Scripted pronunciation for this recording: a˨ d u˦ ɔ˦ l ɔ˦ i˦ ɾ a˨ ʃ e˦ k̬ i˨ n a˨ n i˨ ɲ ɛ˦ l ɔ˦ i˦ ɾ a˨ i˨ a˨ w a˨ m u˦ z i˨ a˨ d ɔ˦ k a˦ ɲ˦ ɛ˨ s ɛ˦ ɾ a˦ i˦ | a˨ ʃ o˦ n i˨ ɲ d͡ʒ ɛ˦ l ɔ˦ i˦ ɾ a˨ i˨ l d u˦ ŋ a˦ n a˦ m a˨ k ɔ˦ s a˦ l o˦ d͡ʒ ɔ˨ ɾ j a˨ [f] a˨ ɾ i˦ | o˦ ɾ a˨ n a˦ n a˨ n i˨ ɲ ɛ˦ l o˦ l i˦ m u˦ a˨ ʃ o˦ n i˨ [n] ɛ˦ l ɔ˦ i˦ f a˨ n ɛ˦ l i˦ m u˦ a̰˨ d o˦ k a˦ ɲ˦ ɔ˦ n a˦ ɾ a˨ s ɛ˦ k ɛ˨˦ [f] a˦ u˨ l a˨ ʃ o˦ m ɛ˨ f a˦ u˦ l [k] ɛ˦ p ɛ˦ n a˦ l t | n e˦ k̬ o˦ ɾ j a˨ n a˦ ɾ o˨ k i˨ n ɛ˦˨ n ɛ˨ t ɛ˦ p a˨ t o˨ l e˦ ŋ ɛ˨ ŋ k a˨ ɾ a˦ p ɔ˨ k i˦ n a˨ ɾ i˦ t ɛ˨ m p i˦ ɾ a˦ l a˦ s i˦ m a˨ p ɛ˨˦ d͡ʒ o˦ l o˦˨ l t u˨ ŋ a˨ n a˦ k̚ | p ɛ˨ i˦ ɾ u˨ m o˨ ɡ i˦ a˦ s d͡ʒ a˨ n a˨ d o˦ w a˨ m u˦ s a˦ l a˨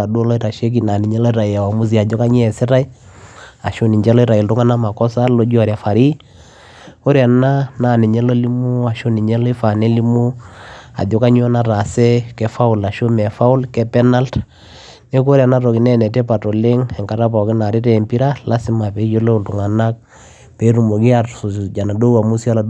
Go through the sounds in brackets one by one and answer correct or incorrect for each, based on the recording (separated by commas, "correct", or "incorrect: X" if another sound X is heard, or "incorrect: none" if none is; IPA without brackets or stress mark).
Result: correct, incorrect: ɲ, correct, correct